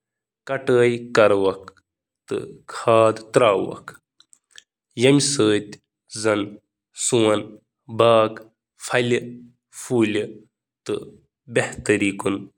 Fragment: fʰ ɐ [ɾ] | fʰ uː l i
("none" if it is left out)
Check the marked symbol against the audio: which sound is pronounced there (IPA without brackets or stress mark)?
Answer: l